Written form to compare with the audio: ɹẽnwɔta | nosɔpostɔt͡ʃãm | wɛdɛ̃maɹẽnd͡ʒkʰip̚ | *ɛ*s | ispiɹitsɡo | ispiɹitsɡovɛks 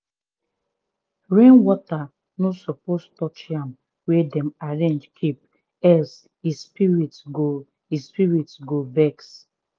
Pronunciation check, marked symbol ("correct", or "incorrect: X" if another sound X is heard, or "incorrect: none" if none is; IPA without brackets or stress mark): correct